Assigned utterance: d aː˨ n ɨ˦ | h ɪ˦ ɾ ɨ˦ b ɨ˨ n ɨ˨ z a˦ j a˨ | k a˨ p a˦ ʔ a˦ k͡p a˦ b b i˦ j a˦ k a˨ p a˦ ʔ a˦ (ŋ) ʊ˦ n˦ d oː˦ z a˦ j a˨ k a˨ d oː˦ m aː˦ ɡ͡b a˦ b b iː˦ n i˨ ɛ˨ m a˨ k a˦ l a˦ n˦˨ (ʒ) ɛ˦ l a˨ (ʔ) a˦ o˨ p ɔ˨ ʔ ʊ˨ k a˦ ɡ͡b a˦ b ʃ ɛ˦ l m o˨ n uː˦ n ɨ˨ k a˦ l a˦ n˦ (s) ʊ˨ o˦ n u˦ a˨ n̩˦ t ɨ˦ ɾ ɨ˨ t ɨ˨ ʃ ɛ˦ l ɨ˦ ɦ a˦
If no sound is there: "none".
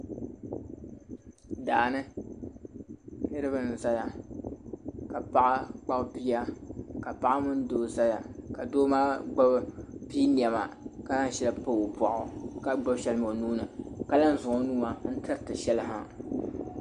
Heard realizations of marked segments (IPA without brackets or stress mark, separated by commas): m, ʃ, p, z